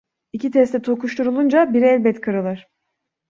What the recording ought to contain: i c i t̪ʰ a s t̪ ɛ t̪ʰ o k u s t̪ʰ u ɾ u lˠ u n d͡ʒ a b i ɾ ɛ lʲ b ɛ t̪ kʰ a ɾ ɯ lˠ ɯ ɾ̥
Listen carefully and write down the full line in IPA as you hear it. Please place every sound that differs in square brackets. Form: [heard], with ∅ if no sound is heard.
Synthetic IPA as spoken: i c i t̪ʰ [ɛ] s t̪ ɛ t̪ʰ o k u [ʃ] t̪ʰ u ɾ u lˠ u n d͡ʒ a b i ɾ ɛ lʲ b ɛ t̪ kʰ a ɾ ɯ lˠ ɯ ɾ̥